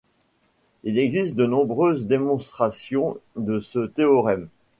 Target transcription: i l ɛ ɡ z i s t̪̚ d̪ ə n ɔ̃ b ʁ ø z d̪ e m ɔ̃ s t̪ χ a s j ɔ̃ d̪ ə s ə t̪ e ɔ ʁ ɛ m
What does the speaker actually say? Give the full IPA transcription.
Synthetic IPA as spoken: i l ɛ ɡ z i s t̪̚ d̪ ə n ɔ̃ b ʁ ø z d̪ e m ɔ̃ s t̪ χ a s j ɔ̃ d̪ ə s ə t̪ e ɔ ʁ ɛ m